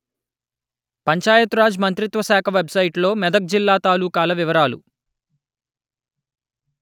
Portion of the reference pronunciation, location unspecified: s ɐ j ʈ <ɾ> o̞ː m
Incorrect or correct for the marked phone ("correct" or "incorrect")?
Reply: incorrect